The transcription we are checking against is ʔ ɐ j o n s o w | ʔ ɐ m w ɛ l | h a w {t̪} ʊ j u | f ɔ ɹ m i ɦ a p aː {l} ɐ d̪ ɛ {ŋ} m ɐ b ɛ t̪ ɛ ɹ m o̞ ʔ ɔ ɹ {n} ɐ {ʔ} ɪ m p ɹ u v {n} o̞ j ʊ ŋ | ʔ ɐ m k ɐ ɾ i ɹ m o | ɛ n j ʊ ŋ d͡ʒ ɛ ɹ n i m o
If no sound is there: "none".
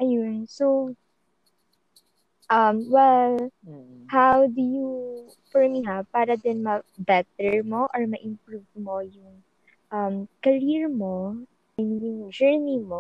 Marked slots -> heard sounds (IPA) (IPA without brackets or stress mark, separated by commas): d̪, ɾ, n, m, ʔ, m